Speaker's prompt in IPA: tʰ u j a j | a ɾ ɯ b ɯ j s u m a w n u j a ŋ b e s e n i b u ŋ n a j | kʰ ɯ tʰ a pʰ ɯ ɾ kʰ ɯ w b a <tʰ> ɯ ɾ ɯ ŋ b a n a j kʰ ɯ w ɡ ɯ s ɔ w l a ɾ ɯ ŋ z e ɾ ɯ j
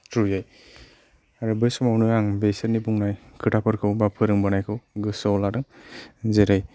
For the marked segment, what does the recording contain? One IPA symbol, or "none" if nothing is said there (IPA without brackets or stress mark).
pʰ